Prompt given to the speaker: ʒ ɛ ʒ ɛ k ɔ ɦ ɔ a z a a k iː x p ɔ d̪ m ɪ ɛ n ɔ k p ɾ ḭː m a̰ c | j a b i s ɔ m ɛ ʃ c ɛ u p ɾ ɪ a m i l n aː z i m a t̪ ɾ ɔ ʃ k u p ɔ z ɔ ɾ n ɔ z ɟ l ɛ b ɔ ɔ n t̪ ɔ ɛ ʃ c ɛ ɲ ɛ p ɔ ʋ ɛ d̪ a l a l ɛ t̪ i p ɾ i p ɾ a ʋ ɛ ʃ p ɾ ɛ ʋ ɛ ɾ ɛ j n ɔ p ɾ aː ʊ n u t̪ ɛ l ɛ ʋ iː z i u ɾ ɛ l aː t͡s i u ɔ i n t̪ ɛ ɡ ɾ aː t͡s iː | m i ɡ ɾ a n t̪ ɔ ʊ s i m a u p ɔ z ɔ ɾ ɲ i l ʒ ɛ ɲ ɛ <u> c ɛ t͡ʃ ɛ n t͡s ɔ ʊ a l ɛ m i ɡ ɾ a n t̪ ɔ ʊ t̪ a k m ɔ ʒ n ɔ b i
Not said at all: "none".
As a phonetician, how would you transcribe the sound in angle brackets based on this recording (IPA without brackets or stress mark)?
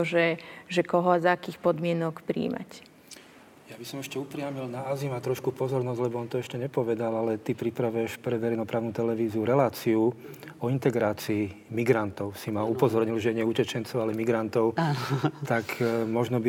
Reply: u